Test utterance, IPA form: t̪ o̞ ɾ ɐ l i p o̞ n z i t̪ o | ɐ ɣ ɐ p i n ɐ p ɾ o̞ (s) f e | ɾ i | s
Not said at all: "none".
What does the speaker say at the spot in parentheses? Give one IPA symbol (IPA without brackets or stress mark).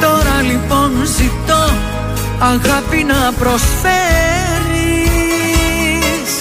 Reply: s